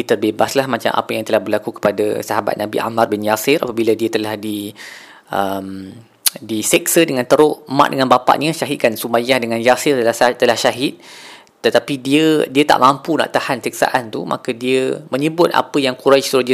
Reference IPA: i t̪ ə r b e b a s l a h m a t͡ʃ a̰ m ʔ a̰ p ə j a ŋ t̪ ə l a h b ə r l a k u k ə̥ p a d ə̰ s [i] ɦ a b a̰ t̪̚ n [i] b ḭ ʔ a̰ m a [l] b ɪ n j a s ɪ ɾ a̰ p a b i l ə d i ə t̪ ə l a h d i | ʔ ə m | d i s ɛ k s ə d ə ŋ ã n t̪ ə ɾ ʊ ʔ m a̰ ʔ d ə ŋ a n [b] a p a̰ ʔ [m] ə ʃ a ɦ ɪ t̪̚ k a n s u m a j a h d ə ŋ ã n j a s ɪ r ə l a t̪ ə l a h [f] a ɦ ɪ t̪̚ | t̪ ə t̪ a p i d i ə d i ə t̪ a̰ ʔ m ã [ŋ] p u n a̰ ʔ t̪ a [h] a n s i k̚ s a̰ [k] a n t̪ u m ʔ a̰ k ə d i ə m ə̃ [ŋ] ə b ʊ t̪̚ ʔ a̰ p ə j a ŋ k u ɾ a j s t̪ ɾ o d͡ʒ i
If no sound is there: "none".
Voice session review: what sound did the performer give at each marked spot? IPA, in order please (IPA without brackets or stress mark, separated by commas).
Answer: a, a, r, b, ɲ, ʃ, m, h, ʔ, ɲ